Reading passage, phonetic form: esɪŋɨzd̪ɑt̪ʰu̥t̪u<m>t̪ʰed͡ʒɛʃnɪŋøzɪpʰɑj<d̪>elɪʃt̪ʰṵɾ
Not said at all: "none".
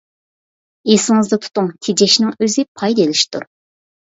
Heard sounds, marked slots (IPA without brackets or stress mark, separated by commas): ŋ, d̪